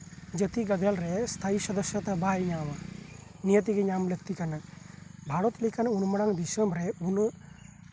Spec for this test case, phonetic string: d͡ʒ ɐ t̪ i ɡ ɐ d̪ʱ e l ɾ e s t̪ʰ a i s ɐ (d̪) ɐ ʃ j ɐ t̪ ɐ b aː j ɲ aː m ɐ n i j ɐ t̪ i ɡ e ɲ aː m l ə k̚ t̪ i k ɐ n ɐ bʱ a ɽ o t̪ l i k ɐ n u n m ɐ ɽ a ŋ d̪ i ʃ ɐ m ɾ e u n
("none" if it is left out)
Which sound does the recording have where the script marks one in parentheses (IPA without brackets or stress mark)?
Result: d̪